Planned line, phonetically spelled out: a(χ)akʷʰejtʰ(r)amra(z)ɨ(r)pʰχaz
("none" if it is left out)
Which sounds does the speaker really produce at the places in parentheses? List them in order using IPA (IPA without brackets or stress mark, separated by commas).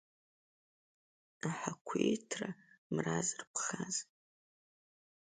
ħ, r, z, r